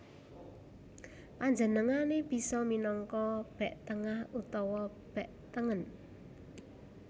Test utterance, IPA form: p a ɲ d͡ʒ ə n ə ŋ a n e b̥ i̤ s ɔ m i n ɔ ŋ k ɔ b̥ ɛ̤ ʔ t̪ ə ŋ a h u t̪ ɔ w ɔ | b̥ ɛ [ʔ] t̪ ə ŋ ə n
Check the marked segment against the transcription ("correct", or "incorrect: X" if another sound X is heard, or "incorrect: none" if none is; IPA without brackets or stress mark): correct